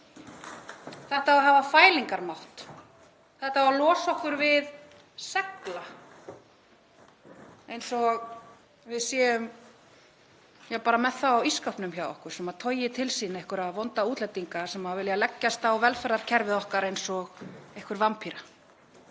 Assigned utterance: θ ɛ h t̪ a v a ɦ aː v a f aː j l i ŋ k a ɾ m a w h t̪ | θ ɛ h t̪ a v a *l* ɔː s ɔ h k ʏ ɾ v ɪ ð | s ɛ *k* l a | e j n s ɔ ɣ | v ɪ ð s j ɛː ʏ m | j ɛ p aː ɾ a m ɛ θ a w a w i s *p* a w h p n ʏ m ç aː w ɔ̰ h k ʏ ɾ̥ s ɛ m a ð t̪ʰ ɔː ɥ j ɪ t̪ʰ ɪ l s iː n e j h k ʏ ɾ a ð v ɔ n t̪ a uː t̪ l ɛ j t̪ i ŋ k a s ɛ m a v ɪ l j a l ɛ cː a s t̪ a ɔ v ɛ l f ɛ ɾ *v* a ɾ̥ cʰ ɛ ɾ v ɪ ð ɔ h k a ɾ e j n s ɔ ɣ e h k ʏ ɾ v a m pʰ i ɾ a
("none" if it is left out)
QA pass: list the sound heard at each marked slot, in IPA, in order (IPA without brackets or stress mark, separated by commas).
l, k, k, ð